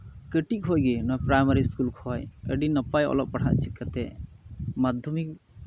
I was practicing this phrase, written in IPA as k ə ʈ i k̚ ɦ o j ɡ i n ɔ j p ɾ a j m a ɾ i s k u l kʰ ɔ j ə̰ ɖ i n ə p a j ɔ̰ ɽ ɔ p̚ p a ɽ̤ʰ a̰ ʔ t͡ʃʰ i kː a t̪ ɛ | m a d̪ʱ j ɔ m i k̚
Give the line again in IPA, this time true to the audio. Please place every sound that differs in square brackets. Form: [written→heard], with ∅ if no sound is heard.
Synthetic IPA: k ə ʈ i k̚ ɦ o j ɡ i n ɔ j p ɾ a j m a ɾ i s k u l kʰ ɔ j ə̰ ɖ i n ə p a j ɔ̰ [ɽ→l] ɔ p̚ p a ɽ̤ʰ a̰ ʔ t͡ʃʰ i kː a t̪ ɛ | m a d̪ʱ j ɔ m i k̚